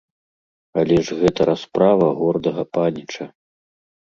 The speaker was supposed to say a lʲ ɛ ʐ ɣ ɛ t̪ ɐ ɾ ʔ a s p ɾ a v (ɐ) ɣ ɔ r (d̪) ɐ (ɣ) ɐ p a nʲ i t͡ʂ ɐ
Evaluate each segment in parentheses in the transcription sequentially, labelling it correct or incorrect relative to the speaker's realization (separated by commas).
correct, correct, correct